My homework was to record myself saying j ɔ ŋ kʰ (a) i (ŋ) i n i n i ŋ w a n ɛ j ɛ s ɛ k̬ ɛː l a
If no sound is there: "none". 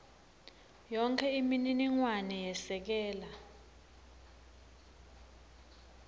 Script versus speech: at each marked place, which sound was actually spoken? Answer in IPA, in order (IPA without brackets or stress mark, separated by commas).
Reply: ɛ, m